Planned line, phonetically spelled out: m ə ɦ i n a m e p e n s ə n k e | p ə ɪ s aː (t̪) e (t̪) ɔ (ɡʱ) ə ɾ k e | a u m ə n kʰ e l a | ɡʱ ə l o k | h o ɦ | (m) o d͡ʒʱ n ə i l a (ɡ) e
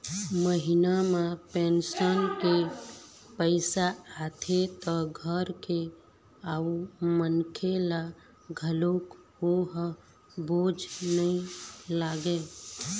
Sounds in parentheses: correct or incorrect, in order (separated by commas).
incorrect, correct, correct, incorrect, correct